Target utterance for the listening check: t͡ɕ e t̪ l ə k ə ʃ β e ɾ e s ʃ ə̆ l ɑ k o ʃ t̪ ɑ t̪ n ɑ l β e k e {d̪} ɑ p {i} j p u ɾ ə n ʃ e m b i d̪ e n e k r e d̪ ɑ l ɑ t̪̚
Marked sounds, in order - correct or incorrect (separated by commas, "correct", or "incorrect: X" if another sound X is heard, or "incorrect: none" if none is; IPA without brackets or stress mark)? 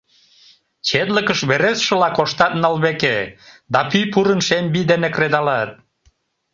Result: correct, incorrect: y